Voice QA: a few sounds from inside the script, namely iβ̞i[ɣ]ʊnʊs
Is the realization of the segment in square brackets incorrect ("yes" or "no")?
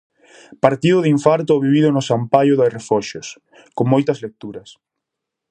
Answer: yes